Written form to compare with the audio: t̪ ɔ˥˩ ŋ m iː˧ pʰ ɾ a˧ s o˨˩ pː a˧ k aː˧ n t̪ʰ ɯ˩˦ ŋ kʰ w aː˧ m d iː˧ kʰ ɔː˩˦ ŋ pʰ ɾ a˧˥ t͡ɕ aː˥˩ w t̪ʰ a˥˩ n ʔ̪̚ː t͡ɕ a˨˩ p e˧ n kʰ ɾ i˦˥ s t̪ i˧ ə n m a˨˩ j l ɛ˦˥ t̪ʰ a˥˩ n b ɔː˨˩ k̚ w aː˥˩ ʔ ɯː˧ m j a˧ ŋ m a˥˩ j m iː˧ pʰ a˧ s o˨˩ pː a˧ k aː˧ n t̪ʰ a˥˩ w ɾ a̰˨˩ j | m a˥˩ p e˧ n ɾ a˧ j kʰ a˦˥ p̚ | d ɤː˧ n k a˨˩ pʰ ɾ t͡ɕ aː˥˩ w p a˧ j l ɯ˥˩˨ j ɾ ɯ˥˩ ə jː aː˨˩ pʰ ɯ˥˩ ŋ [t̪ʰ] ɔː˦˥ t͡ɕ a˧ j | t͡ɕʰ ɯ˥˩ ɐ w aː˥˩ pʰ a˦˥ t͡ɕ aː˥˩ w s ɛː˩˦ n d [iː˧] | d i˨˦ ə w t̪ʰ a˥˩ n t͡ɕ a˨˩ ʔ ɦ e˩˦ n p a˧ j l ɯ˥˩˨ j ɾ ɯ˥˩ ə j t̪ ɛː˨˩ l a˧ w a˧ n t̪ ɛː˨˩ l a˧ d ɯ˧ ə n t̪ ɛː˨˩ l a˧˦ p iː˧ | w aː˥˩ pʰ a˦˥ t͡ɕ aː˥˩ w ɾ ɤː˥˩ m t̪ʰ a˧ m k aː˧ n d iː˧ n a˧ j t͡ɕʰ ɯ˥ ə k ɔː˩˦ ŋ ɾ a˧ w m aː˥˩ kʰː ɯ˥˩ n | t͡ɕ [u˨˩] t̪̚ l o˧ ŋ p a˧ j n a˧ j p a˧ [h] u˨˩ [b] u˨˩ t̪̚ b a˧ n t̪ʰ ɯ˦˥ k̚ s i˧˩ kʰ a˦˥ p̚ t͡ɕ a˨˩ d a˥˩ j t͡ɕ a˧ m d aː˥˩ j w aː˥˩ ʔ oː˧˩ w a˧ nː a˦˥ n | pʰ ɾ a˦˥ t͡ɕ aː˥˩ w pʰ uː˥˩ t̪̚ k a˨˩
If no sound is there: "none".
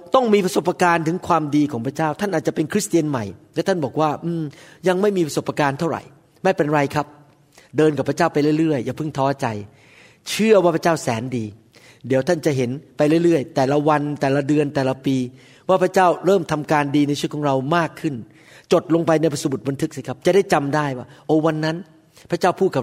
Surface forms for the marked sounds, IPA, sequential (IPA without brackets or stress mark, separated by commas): t̪ʰ, iː˧, o˨˩, s, b